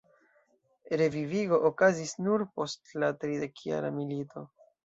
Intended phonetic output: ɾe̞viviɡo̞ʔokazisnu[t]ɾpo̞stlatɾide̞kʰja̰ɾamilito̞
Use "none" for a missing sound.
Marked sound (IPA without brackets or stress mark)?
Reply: none